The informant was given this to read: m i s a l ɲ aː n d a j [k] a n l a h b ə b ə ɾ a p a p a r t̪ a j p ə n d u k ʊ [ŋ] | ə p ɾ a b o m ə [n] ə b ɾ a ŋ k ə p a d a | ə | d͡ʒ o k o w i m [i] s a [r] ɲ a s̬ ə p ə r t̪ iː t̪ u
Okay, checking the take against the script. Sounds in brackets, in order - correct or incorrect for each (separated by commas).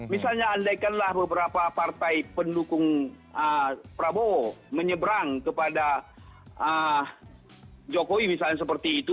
correct, correct, incorrect, correct, incorrect